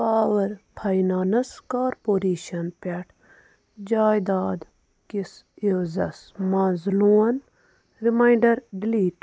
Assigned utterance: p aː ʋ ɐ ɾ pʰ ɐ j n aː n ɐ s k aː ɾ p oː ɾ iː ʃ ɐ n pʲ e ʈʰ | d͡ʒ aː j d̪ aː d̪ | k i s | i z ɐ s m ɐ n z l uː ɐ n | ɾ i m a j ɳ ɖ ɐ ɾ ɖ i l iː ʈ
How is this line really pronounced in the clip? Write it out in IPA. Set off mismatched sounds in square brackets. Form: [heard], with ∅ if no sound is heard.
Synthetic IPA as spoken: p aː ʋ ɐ ɾ pʰ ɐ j n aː n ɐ s k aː ɾ p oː ɾ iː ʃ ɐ n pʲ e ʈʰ | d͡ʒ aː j d̪ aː d̪ | k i s | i z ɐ s m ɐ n z l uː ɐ n | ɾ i m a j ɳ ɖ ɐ ɾ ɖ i l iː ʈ

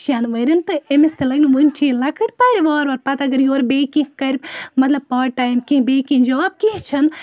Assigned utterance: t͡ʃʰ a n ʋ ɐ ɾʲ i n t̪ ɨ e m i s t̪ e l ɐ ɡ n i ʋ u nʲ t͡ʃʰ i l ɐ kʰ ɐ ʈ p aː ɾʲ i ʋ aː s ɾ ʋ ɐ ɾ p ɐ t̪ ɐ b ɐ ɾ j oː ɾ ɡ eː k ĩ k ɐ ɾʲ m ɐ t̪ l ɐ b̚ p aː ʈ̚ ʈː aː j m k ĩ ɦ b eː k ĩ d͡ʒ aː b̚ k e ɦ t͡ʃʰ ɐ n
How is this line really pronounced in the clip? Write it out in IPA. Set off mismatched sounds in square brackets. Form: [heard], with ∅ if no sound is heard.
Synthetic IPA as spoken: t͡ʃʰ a n ʋ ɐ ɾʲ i n t̪ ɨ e m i s t̪ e l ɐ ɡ n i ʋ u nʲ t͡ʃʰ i l ɐ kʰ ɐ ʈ p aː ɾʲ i ʋ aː [∅] ɾ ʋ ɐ ɾ p ɐ t̪ ɐ [ɡ] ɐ ɾ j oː ɾ [b] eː k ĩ k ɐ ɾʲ m ɐ t̪ l ɐ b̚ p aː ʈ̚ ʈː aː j m k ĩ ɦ b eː k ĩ d͡ʒ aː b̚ k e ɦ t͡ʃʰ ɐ n

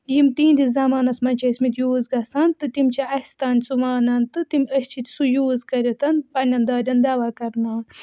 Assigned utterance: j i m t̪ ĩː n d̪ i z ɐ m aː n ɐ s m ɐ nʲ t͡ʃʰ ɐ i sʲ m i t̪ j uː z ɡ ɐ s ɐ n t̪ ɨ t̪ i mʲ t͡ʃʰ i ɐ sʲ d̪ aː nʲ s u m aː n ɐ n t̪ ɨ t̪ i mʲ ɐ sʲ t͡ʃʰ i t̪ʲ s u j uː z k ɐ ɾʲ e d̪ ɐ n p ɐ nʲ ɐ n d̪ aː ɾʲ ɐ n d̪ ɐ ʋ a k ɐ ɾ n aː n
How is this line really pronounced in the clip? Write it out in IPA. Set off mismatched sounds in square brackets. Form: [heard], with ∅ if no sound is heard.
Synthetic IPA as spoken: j i m t̪ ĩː n d̪ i z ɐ m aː n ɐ s m ɐ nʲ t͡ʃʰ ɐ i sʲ m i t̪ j uː z ɡ ɐ s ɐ n t̪ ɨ t̪ i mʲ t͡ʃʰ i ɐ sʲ [t̪] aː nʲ s u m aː n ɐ n t̪ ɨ t̪ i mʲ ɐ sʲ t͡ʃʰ i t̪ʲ s u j uː z k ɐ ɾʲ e [t̪] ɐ n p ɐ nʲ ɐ n d̪ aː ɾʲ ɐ n d̪ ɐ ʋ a k ɐ ɾ n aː n

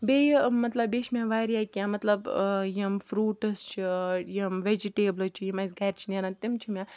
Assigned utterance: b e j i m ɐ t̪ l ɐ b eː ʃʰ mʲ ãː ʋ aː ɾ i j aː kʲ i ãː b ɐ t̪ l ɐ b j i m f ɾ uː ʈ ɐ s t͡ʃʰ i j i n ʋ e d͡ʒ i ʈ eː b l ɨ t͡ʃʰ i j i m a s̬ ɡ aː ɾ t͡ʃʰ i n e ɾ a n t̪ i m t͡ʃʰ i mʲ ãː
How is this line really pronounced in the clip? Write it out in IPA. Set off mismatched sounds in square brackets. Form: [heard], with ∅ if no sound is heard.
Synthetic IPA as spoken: b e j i m ɐ t̪ l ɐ b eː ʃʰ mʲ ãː ʋ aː ɾ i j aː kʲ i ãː [m] ɐ t̪ l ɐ b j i m f ɾ uː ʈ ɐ s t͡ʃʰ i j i [m] ʋ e d͡ʒ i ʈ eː b l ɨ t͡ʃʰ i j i m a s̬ ɡ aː ɾ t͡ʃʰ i n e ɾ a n t̪ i m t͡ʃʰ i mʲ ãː

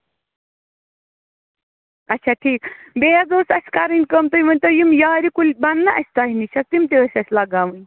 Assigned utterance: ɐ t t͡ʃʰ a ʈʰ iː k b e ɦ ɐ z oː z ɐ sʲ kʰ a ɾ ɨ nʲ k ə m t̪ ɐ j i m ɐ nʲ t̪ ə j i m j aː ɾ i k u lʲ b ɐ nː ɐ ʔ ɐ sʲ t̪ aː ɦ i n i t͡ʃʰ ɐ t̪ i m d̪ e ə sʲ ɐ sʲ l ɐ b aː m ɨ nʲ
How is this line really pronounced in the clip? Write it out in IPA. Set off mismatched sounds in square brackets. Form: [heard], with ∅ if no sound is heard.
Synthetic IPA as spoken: ɐ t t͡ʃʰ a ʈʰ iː k b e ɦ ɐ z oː [s] ɐ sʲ [k] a ɾ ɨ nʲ k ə m t̪ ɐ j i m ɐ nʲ t̪ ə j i m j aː ɾ i k u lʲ b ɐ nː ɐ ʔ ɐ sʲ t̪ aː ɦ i n i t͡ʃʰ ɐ t̪ i m [t̪] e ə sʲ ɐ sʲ l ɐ [ɡ] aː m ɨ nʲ

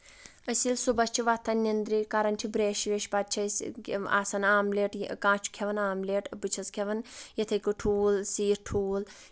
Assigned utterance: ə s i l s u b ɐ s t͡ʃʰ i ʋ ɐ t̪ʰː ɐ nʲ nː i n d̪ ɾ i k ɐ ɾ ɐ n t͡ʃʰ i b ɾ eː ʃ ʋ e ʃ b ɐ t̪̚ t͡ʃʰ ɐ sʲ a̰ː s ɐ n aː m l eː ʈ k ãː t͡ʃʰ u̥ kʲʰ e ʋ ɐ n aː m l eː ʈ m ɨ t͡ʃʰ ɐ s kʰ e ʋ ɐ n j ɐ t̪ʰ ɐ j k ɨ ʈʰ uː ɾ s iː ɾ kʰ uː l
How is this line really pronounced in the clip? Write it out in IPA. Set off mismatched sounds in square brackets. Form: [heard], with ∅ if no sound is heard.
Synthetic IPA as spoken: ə s i l s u b ɐ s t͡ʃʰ i ʋ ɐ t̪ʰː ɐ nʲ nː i n d̪ ɾ i k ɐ ɾ ɐ n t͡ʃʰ i b ɾ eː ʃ ʋ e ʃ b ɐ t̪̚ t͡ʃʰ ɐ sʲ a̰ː s ɐ n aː m l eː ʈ k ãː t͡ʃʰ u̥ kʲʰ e ʋ ɐ n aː m l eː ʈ [b] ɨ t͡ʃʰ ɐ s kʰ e ʋ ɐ n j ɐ t̪ʰ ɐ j k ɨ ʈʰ uː [l] s iː ɾ [ʈʰ] uː l

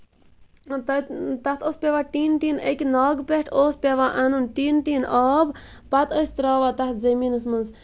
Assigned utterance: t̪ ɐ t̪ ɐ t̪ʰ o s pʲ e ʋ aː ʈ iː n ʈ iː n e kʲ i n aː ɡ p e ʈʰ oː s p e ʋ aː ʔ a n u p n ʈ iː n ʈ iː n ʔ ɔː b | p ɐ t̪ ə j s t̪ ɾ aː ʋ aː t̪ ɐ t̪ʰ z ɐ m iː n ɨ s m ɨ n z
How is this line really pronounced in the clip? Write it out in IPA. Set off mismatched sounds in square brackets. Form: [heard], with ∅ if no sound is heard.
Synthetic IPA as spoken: t̪ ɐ t̪ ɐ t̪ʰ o s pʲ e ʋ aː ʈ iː n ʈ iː n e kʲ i n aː ɡ p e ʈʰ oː s p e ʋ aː ʔ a n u [∅] n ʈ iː n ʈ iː n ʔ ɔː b | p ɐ t̪ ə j s t̪ ɾ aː ʋ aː t̪ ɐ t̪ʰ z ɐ m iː n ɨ s m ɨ n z

